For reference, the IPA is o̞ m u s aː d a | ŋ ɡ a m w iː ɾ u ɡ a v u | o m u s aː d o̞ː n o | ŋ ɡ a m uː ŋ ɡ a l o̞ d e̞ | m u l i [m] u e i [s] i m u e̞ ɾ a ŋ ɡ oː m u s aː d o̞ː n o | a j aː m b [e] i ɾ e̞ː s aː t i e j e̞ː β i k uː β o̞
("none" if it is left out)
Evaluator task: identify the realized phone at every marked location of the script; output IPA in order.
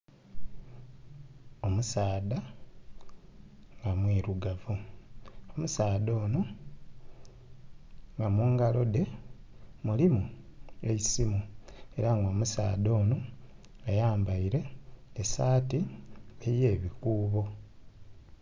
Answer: m, s, a

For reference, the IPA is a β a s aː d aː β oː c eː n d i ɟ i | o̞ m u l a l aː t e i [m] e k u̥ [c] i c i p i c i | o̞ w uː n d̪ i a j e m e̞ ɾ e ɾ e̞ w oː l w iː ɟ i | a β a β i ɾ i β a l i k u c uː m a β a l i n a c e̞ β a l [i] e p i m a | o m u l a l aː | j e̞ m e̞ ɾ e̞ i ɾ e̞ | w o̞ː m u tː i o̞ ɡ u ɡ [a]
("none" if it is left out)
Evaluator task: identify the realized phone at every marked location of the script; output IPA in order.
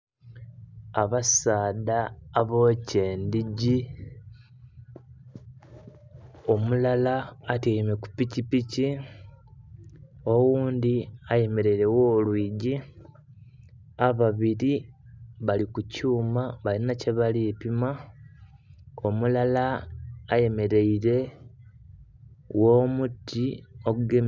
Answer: m, p, i, e

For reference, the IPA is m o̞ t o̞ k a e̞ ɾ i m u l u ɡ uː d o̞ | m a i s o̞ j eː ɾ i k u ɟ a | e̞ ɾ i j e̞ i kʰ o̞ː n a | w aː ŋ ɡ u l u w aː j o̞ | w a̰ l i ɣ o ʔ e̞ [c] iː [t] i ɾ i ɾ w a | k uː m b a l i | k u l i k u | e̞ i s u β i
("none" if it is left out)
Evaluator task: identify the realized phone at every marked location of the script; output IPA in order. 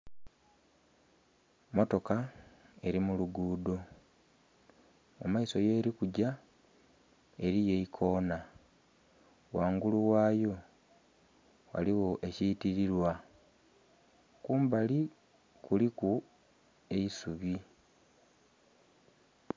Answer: c, t

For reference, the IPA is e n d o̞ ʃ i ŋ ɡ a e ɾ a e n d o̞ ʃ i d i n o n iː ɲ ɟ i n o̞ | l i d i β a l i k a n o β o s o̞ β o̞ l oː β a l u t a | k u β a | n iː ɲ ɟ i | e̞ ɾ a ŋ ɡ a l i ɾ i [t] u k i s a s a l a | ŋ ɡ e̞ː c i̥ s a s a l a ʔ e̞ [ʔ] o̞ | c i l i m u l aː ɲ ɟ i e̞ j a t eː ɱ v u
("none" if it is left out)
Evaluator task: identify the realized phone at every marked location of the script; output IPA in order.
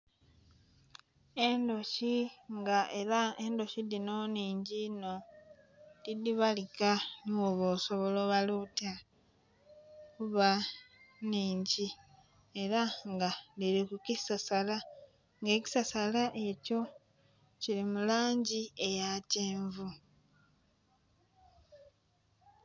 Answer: k, c

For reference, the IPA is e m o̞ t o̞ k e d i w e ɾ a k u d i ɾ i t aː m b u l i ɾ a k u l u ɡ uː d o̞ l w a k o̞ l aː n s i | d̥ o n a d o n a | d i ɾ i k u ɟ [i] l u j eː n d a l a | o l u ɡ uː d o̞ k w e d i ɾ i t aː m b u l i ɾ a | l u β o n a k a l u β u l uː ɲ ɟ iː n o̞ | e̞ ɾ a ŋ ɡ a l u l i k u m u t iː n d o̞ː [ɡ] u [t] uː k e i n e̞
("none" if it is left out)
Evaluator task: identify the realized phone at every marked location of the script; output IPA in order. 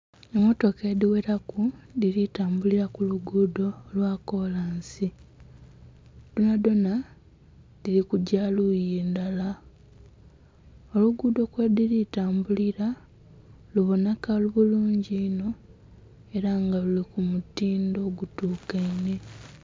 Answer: a, ɡ, t

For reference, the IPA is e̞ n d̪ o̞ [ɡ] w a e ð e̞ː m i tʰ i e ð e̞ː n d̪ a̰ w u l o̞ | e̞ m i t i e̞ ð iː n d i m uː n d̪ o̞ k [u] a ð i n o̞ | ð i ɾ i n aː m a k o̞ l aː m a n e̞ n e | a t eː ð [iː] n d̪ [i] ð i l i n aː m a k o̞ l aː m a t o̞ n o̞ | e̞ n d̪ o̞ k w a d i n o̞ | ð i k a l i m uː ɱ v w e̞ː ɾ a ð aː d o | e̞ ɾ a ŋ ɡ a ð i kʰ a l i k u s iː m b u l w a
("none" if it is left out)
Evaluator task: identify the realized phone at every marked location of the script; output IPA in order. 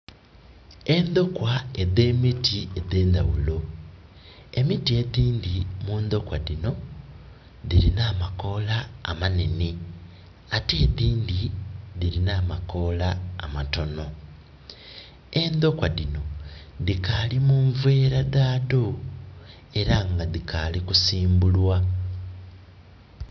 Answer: k, w, iː, i

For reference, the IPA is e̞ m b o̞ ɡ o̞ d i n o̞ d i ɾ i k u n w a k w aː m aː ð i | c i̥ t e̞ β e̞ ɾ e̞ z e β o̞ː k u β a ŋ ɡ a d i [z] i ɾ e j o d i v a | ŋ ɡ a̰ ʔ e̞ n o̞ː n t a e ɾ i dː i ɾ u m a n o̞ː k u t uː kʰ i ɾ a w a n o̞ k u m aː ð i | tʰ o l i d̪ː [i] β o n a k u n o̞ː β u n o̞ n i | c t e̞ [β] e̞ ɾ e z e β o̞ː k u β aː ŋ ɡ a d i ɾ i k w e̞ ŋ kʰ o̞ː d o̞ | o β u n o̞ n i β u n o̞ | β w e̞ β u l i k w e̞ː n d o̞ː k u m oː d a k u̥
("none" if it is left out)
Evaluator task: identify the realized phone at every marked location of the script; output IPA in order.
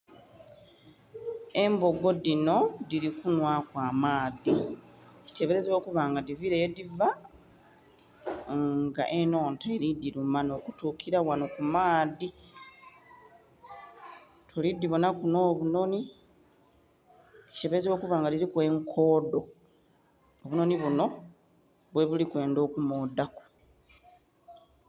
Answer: v, i, β

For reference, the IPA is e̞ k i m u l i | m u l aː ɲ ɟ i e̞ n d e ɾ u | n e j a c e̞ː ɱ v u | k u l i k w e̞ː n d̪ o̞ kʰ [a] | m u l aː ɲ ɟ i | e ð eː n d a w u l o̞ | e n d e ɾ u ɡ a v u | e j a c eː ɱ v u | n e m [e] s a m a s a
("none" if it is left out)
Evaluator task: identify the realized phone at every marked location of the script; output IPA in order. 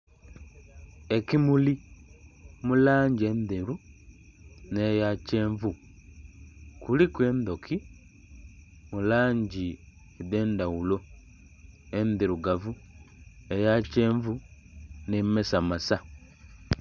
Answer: i, e

